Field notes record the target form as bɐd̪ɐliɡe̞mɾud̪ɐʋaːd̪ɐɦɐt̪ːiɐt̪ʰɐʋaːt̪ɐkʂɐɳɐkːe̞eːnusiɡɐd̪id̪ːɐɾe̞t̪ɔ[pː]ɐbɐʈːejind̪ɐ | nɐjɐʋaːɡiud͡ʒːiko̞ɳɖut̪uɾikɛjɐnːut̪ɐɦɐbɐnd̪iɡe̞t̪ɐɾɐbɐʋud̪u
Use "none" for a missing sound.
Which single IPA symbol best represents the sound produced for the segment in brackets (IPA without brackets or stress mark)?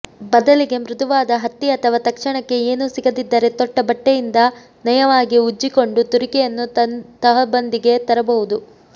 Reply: ʈː